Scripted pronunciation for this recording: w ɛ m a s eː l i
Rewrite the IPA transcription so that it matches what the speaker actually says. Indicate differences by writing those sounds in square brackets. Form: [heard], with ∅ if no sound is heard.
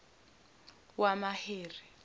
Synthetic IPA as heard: w [a] m a [h] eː [r] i